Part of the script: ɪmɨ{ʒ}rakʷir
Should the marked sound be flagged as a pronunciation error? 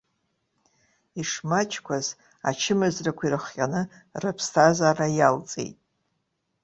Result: yes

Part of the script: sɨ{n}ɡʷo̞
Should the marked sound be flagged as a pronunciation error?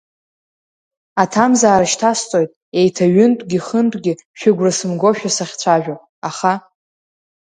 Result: yes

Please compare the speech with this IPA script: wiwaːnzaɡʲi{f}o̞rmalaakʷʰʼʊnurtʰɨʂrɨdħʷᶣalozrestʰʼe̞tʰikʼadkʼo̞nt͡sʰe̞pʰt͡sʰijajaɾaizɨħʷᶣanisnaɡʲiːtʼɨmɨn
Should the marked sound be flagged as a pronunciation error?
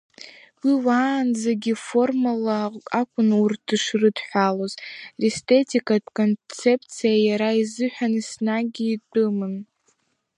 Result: no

